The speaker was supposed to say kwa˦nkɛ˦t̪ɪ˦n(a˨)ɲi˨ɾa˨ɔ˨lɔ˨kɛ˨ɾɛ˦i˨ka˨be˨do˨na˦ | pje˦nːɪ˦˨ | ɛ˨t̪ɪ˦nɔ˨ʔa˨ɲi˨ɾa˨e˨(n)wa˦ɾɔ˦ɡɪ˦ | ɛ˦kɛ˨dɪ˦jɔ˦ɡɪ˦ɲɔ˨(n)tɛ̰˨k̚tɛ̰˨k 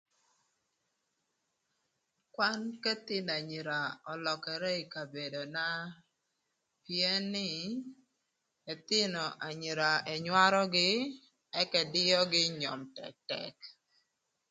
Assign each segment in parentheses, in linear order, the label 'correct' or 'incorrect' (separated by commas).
correct, incorrect, incorrect